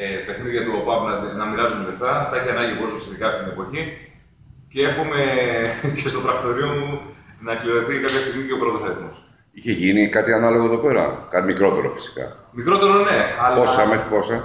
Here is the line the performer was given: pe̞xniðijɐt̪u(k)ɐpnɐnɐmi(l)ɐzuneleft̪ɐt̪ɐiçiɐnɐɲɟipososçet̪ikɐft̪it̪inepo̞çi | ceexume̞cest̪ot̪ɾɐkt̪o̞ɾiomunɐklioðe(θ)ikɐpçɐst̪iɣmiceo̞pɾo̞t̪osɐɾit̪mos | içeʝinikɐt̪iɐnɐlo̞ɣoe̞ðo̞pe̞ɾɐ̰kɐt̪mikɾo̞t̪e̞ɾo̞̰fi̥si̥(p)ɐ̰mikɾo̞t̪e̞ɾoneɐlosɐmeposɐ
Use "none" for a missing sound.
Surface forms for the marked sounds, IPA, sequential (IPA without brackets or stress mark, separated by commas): p, ɾ, θ, k